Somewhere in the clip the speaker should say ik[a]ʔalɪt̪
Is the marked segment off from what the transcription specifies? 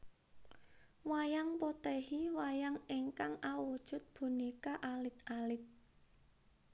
no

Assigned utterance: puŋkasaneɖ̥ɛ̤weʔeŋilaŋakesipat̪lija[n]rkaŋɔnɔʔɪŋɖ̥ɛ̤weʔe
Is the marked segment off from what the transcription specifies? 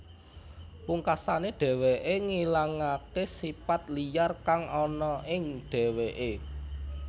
yes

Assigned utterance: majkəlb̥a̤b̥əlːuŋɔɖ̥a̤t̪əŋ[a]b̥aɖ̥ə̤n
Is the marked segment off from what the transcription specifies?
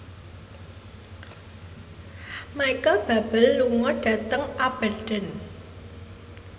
no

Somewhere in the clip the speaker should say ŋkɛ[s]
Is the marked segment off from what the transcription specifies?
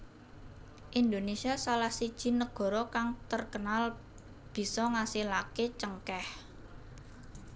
yes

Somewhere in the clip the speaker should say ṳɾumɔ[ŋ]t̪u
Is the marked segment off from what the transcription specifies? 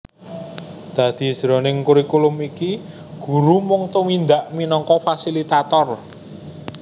no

